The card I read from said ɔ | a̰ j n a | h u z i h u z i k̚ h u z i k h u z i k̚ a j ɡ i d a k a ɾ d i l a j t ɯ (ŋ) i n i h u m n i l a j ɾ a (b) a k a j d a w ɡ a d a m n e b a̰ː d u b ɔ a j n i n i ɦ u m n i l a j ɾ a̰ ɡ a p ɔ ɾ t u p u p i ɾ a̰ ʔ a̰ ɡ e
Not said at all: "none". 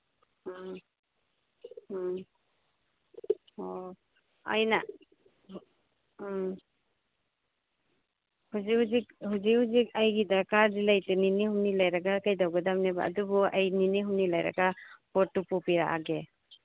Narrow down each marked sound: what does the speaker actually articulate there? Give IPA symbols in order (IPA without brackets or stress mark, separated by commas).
n, ɡ